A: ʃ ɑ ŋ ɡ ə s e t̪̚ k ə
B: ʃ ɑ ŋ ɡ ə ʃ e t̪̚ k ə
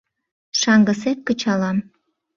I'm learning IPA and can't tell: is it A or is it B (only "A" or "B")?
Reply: A